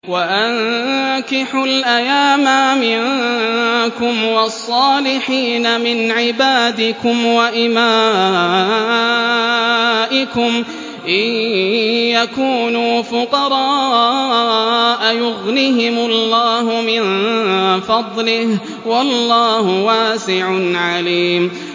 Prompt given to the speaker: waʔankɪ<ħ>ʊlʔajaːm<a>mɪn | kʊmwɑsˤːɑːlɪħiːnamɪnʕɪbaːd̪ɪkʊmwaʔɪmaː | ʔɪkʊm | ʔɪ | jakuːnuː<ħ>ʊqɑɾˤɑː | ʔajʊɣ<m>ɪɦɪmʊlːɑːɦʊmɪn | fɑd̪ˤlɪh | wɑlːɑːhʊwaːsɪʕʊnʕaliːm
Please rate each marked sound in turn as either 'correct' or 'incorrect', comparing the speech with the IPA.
correct, correct, incorrect: f, incorrect: n

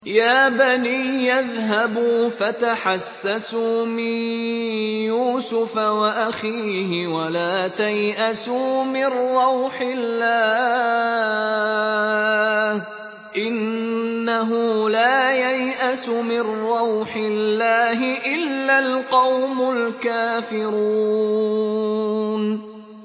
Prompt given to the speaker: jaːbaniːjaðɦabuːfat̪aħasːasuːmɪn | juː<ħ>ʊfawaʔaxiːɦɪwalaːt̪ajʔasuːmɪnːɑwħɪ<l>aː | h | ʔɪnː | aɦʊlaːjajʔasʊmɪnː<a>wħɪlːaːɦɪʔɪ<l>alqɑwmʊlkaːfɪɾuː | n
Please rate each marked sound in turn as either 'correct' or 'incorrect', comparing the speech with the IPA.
incorrect: s, incorrect: lː, incorrect: ɑ, incorrect: lː

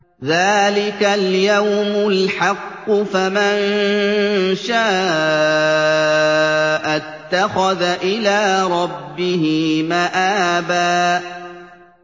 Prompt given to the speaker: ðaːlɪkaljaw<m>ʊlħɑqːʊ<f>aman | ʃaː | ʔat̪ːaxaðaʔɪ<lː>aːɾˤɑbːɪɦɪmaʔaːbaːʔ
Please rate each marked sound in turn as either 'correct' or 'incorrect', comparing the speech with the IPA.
correct, correct, incorrect: l

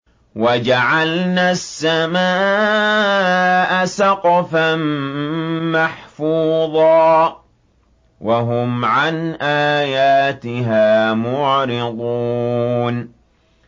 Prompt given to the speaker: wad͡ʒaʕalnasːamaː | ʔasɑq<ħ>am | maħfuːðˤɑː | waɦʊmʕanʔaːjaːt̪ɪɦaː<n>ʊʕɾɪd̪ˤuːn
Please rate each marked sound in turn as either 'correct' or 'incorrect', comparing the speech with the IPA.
incorrect: f, incorrect: m

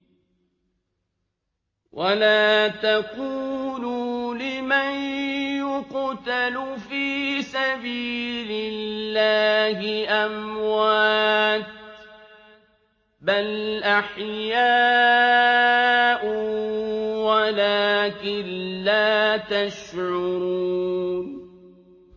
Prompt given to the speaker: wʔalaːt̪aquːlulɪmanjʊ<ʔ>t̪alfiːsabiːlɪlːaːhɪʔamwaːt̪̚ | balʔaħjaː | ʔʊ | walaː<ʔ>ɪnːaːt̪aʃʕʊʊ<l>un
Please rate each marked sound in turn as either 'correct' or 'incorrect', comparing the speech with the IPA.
incorrect: q, incorrect: k, incorrect: ɾ

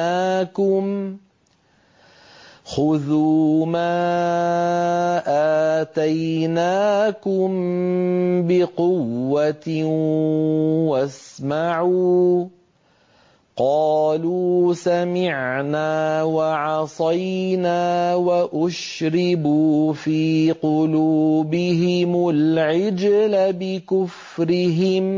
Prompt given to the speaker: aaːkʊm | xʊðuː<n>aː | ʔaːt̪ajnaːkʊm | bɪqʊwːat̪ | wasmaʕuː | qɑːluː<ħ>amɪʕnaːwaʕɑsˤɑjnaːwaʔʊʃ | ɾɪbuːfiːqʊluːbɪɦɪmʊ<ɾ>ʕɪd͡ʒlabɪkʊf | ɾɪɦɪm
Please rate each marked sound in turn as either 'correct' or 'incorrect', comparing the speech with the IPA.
incorrect: m, incorrect: s, incorrect: l

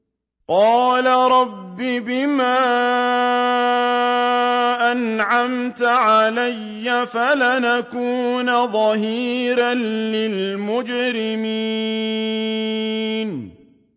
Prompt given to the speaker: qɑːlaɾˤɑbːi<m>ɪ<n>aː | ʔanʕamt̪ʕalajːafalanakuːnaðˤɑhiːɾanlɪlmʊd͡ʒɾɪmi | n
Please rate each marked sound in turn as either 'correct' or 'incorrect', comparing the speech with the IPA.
incorrect: b, incorrect: m

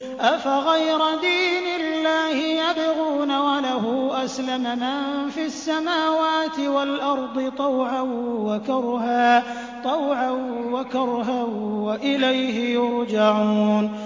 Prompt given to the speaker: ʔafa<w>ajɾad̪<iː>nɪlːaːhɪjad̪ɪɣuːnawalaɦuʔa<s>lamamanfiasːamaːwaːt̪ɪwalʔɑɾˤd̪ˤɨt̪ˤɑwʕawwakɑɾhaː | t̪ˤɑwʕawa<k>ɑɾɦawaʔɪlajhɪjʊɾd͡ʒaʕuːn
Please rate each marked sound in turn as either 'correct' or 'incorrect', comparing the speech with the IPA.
incorrect: ɣ, correct, correct, correct

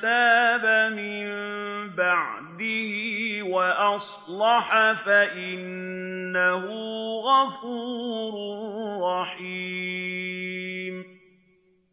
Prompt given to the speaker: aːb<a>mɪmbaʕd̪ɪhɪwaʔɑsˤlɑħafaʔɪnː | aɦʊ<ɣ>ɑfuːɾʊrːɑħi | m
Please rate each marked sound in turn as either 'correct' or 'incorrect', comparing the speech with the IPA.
correct, correct

